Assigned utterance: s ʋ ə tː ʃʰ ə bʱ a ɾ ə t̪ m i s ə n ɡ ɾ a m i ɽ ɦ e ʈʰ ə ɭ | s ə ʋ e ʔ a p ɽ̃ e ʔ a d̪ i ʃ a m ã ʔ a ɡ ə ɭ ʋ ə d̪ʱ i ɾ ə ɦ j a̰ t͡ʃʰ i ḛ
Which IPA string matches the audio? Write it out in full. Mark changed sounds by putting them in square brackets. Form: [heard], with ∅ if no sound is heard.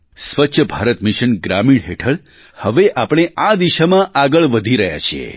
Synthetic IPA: s ʋ ə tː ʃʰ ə bʱ a ɾ ə t̪ m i [ʃ] ə n ɡ ɾ a m i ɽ ɦ e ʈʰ ə ɭ | [h] ə ʋ e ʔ a p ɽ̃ e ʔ a d̪ i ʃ a m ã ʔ a ɡ ə ɭ ʋ ə d̪ʱ i ɾ ə ɦ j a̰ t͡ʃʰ i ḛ